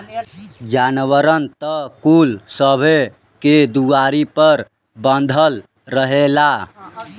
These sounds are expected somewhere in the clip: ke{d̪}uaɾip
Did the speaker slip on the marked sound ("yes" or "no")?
no